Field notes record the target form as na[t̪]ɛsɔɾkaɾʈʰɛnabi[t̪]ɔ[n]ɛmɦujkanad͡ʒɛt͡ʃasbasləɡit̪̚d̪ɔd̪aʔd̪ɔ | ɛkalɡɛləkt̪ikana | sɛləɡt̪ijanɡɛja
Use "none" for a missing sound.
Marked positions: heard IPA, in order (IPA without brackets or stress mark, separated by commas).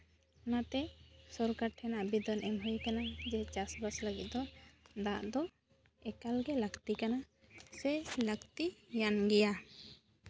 t̪, d̪, n